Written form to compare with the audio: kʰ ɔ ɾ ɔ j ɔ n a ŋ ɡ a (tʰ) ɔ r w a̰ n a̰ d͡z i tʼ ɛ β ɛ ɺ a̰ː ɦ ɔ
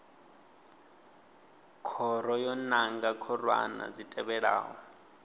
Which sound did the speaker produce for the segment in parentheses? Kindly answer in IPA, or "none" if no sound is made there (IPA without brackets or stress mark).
kʰ